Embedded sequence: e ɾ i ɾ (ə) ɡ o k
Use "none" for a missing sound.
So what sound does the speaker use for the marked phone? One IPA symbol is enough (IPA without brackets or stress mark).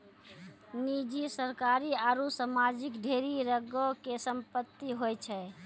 ə